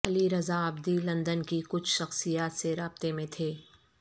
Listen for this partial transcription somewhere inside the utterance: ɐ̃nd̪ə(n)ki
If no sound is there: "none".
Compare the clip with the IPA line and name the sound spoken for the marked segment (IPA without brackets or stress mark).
n